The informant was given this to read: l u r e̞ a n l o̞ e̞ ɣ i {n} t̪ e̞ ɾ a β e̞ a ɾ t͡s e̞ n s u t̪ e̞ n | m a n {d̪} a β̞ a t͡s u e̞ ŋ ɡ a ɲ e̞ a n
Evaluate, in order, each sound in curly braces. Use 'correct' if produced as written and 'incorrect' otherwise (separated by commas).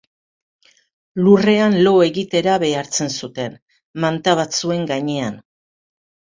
incorrect, incorrect